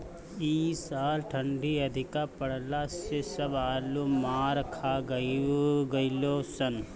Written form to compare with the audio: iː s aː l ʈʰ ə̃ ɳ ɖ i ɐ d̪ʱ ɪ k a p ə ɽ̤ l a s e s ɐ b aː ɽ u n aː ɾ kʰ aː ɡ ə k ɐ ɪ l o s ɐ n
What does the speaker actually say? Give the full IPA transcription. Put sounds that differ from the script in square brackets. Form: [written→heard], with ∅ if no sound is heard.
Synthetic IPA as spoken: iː s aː l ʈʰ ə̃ ɳ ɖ i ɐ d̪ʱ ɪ k a p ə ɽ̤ l a s e s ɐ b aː [ɽ→l] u [n→m] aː ɾ kʰ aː ɡ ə [k→ɡ] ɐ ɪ l o s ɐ n